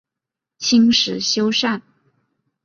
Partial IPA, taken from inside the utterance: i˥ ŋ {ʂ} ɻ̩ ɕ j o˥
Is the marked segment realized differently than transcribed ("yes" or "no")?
no